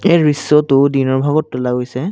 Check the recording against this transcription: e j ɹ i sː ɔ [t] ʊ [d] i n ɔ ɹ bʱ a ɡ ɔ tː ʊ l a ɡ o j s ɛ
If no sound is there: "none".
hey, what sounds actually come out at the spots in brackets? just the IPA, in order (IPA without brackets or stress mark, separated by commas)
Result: t, d